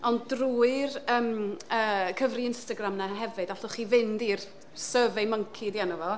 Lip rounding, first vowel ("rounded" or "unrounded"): rounded